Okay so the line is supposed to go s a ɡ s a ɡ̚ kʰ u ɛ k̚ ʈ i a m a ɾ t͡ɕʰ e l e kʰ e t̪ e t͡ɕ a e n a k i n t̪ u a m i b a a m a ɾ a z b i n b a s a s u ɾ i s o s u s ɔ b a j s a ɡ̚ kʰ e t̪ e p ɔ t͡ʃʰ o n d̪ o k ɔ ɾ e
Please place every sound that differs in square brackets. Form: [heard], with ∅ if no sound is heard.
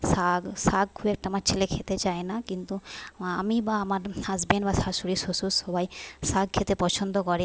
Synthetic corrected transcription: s a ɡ s a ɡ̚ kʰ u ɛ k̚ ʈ [a] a m a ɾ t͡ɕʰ e l e kʰ e t̪ e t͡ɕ a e n a k i n t̪ u a m i b a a m a ɾ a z b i n b a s a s u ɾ i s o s u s ɔ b a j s a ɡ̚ kʰ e t̪ e p ɔ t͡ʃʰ o n d̪ o k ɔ ɾ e